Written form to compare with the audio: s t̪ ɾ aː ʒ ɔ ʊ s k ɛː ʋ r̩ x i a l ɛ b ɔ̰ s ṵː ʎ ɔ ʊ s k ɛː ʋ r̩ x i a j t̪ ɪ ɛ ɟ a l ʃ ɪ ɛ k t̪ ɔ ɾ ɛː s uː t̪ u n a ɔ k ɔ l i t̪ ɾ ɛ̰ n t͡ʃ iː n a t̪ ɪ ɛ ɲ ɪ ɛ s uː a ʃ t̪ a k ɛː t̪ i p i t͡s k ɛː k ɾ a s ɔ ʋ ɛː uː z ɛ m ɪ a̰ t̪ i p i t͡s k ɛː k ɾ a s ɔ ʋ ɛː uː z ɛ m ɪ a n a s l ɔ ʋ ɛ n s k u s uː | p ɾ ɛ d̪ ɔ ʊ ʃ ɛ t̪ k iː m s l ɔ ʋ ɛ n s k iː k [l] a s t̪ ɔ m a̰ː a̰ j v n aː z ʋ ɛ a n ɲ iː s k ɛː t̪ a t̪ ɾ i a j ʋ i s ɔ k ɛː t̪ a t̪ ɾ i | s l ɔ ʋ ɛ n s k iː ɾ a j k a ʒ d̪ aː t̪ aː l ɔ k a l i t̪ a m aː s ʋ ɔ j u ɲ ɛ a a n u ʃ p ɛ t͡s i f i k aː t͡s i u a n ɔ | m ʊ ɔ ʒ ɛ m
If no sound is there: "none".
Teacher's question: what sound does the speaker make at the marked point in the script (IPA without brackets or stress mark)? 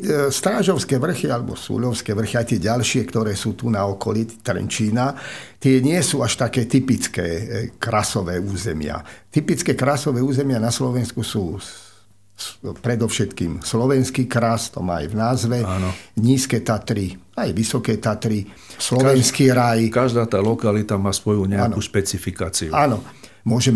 ɾ